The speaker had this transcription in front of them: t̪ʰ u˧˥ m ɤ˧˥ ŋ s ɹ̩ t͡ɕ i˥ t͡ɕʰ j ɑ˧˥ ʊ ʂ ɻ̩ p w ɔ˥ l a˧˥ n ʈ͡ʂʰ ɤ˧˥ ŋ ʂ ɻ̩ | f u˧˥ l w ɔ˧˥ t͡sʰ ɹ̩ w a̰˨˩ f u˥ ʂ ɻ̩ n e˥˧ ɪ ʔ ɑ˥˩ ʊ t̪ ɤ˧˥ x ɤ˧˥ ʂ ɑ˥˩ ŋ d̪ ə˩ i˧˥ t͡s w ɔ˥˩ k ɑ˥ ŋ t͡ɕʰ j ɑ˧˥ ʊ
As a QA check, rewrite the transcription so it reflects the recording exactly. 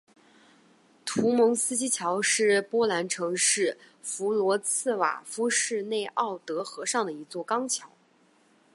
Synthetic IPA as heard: t̪ʰ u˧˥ m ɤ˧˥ ŋ s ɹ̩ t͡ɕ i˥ t͡ɕʰ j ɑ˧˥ ʊ ʂ ɻ̩ p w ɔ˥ l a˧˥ n ʈ͡ʂʰ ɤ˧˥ ŋ ʂ ɻ̩ | f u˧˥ l w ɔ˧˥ t͡sʰ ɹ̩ w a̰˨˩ f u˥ ʂ ɻ̩ n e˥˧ ɪ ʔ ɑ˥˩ ʊ t̪ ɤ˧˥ x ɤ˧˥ ʂ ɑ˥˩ ŋ d̪ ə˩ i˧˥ t͡s w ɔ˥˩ k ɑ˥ ŋ t͡ɕʰ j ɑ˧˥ ʊ

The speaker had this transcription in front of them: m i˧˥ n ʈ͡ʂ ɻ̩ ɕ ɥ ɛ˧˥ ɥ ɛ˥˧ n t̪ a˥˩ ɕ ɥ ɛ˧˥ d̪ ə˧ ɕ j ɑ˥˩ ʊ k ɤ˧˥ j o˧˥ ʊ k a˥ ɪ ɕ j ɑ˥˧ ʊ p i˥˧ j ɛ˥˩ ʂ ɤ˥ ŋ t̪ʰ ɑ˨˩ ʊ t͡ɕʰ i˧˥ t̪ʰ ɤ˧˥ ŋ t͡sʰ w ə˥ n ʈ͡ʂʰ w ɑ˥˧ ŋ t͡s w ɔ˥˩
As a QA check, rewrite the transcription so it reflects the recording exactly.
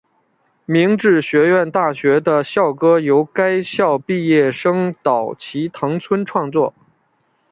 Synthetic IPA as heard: m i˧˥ ŋ ʈ͡ʂ ɻ̩ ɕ ɥ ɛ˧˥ ɥ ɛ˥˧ n t̪ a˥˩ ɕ ɥ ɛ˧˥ d̪ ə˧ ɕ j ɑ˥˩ ʊ k ɤ˥ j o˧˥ ʊ k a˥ ɪ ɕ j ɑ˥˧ ʊ p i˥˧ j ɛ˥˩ ʂ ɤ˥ ŋ t̪ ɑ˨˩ ʊ t͡ɕʰ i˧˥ t̪ʰ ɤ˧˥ ŋ t͡sʰ w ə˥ n ʈ͡ʂʰ w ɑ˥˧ ŋ t͡s w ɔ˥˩

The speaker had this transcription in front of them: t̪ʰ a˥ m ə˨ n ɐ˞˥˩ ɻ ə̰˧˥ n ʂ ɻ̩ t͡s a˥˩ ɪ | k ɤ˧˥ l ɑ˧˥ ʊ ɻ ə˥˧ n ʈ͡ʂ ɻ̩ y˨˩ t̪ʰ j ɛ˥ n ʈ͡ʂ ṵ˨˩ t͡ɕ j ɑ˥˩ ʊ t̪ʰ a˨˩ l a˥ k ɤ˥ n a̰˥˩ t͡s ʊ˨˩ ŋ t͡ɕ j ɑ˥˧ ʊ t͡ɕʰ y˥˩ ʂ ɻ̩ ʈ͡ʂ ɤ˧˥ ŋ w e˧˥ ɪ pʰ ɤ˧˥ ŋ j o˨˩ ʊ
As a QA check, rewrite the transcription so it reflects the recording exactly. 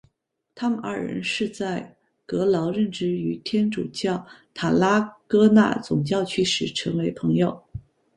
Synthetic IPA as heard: t̪ʰ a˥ m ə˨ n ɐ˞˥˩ ɻ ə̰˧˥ n ʂ ɻ̩ t͡s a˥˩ ɪ | k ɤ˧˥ l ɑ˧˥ ʊ ɻ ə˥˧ n ʈ͡ʂ ɻ̩ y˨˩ t̪ʰ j ɛ˥ n ʈ͡ʂ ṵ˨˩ t͡ɕ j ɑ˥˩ ʊ t̪ʰ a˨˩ l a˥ k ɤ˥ n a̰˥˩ t͡s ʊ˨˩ ŋ t͡ɕ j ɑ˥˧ ʊ t͡ɕʰ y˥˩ ʂ ɻ̩ ʈ͡ʂʰ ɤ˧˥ ŋ w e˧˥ ɪ pʰ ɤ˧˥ ŋ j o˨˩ ʊ

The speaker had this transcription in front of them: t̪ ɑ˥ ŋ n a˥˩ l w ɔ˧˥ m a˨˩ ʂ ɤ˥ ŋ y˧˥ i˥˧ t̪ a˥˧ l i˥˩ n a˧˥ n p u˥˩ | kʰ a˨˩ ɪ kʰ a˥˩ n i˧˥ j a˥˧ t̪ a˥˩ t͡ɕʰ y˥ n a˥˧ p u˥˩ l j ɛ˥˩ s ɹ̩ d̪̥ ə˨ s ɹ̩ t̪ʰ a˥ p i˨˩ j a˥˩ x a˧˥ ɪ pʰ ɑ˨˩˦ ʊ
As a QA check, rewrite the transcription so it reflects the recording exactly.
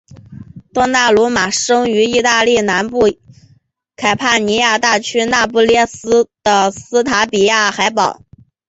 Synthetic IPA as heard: t̪ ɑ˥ ŋ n a˥˩ l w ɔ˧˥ m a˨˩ ʂ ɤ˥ ŋ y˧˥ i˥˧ t̪ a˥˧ l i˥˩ n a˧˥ n p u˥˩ | kʰ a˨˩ ɪ pʰ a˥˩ n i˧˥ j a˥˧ t̪ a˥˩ t͡ɕʰ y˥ n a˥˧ p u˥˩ l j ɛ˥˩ s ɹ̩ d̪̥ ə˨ s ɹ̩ t̪ʰ a˧˥ p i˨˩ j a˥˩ x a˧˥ ɪ p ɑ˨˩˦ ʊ

